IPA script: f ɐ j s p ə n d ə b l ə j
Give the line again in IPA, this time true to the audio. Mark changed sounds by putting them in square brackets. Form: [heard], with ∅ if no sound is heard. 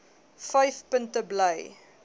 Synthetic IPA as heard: f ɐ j [f] p ə n [t] ə b l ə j